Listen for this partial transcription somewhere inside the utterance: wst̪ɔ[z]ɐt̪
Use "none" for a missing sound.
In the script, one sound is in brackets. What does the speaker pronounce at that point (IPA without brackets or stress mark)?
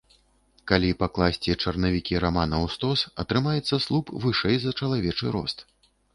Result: s